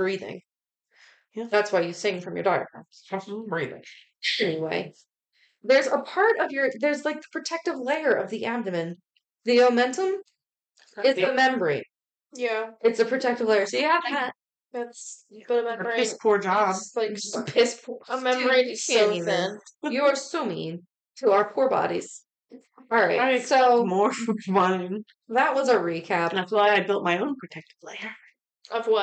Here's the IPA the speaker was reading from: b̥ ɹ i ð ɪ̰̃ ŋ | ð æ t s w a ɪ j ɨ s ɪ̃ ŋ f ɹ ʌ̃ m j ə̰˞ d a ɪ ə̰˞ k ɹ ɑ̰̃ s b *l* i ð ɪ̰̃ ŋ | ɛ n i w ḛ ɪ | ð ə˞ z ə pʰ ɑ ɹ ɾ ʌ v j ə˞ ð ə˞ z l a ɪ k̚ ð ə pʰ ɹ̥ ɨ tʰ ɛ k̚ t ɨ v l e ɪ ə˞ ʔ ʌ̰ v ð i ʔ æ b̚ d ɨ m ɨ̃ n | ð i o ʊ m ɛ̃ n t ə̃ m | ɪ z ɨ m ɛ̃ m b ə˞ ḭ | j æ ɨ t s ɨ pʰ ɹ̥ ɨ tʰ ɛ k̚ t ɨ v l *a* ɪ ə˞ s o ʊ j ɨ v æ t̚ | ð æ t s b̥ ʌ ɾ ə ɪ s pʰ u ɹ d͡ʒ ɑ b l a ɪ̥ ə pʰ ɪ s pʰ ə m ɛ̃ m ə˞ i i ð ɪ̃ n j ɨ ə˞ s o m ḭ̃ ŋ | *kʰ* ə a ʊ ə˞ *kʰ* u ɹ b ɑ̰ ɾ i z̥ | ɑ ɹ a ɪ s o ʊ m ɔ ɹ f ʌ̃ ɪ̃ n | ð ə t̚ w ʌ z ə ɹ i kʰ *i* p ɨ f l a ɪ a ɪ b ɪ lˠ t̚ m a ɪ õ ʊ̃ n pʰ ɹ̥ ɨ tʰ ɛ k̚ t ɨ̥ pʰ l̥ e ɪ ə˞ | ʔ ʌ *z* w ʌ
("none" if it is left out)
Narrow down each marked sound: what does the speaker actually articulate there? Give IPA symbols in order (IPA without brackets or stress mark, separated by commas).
ɹ, e, tʰ, pʰ, æ, v